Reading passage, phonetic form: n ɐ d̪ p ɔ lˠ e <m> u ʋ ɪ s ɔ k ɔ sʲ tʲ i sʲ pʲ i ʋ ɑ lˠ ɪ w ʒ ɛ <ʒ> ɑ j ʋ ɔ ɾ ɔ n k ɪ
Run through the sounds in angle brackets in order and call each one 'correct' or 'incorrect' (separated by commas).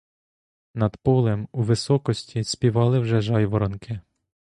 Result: correct, correct